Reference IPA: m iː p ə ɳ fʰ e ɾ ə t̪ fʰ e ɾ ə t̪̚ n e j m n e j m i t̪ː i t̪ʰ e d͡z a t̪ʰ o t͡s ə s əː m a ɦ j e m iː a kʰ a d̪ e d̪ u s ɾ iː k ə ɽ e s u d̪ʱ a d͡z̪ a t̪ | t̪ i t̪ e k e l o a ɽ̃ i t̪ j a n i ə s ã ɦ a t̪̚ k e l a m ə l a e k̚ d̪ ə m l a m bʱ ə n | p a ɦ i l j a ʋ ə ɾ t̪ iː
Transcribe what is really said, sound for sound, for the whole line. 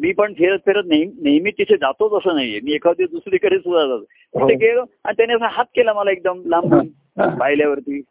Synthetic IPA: m iː p ə ɳ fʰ e ɾ ə t̪ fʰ e ɾ ə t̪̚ n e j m n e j m i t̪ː i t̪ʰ e d͡z a t̪ o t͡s ə s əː n a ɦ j e m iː e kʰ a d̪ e d̪ u s ɾ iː k ə ɽ e s u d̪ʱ a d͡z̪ a t̪ | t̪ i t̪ e k e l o a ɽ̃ i t̪ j a n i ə s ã ɦ a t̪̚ k e l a m ə l a e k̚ d̪ ə m l a m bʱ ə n | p a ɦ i l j a ʋ ə ɾ t̪ iː